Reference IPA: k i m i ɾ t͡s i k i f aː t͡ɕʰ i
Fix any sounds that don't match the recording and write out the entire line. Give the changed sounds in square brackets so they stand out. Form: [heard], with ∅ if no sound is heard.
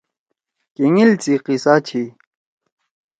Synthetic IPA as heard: k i [ŋ] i [l] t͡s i [q] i [s] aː t͡ɕʰ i